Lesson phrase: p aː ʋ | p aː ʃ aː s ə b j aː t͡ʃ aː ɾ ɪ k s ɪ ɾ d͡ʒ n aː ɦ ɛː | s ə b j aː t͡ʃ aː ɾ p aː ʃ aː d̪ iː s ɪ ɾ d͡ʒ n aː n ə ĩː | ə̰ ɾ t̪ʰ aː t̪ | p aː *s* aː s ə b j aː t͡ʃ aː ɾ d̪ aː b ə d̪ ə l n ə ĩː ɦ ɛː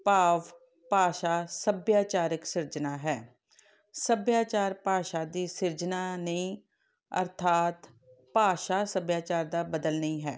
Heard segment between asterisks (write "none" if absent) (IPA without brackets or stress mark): ʃ